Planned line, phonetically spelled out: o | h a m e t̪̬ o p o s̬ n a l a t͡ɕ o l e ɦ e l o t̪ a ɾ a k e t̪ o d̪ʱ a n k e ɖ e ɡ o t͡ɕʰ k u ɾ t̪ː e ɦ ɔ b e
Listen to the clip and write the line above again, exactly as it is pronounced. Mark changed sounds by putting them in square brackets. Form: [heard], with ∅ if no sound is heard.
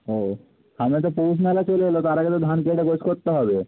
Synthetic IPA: o | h a m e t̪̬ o p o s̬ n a l a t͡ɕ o l e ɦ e l o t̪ a ɾ a [ɡ] e t̪ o d̪ʱ a n k e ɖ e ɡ o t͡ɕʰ k [o] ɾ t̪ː e ɦ ɔ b e